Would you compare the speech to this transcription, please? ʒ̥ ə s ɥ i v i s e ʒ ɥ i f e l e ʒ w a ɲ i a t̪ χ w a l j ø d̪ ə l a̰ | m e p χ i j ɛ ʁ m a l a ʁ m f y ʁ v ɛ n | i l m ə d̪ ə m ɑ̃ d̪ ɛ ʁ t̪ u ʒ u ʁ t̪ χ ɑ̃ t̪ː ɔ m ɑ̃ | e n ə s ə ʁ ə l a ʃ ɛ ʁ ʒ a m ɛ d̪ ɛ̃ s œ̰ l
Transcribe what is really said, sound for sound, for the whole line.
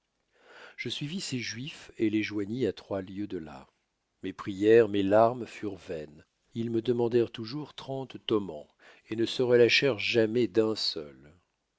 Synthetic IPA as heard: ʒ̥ ə s ɥ i v i s e ʒ ɥ i f e l e ʒ w a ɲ i a t̪ χ w a l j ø d̪ ə l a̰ | m e p χ i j ɛ ʁ m e l a ʁ m f y ʁ v ɛ n | i l m ə d̪ ə m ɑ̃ d̪ ɛ ʁ t̪ u ʒ u ʁ t̪ χ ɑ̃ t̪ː ɔ m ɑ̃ | e n ə s ə ʁ ə l a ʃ ɛ ʁ ʒ a m ɛ d̪ ɛ̃ s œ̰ l